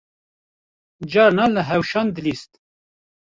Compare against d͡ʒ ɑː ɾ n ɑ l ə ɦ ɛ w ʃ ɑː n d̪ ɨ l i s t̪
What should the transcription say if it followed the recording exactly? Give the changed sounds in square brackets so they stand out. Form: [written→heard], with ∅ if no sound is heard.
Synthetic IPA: d͡ʒ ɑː ɾ n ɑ l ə ɦ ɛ w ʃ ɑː n d̪ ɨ l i s t̪